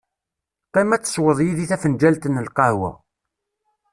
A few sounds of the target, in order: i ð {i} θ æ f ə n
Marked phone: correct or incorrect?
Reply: correct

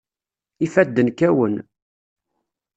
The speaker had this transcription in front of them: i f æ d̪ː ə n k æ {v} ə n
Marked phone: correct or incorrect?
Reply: incorrect: w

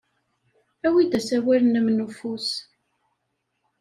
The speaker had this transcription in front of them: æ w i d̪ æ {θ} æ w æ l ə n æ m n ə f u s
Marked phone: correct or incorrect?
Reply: incorrect: s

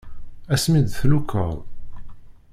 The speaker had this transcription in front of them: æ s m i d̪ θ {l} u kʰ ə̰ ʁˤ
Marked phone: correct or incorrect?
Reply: correct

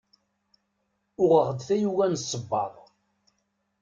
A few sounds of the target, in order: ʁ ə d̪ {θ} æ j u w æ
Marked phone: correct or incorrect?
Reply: correct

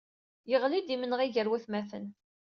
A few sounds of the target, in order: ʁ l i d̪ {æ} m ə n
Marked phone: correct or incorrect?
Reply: incorrect: i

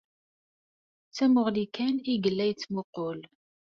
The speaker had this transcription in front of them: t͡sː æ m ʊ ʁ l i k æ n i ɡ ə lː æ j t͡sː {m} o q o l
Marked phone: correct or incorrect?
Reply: correct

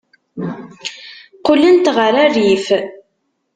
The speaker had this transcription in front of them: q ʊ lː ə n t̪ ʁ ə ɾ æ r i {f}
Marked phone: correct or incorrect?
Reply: correct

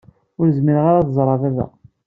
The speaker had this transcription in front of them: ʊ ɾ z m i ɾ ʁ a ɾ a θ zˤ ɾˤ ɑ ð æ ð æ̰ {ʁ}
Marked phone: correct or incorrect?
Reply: incorrect: none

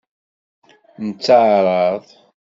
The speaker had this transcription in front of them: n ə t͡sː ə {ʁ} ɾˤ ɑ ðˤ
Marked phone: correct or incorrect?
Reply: incorrect: ʕ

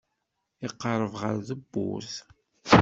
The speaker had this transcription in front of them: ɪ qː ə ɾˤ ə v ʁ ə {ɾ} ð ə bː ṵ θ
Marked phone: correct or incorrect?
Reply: correct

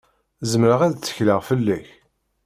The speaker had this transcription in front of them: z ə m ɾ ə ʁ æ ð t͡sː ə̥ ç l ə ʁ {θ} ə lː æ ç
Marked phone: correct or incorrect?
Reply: incorrect: f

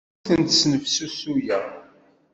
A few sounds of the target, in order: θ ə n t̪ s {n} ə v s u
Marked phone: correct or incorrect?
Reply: correct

